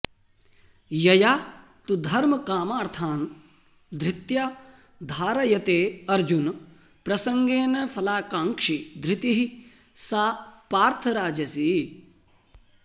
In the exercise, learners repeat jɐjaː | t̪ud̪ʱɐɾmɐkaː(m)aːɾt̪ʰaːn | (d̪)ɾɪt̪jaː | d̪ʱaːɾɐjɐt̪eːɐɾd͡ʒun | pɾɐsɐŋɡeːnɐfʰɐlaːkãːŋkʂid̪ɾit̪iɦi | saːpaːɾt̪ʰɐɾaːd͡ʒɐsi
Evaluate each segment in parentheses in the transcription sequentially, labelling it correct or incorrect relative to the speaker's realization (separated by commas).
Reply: correct, correct